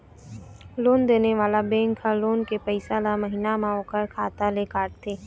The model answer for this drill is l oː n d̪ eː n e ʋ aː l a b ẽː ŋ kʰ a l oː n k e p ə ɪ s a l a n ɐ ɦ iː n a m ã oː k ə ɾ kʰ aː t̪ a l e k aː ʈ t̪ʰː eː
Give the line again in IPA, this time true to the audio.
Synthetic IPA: l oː n d̪ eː n e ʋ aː l a b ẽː ŋ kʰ a l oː n k e p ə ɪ s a l a m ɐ ɦ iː n a m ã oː k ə ɾ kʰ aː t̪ a l e k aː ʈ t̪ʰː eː